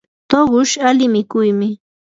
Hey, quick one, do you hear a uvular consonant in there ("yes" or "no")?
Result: yes